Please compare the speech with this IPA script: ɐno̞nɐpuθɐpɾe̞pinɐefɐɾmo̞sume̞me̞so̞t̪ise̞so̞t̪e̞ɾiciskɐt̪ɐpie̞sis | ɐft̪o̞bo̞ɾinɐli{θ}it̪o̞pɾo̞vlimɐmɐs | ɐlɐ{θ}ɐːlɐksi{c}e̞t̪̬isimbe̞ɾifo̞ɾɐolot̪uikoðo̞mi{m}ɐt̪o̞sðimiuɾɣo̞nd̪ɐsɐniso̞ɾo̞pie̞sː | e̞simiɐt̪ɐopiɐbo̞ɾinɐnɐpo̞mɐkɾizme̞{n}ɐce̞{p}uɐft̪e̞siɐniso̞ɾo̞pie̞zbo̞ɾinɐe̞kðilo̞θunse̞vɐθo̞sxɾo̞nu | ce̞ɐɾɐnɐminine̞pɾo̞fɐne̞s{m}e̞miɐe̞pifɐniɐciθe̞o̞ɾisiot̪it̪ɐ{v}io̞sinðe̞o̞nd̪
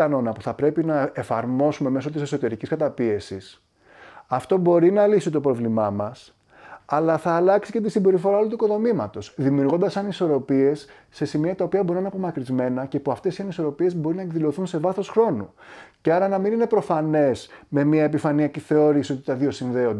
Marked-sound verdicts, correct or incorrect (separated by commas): incorrect, correct, correct, correct, correct, correct, correct, incorrect